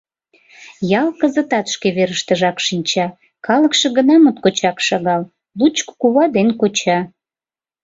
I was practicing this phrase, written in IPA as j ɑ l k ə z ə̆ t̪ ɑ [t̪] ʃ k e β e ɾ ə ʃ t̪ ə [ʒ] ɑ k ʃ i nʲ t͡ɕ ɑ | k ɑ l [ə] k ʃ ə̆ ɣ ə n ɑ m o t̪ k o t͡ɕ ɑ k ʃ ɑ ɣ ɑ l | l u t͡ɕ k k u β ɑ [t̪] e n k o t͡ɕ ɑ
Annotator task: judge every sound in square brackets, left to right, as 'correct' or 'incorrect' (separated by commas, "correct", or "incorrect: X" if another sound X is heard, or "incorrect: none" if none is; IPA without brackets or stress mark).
correct, correct, correct, incorrect: d̪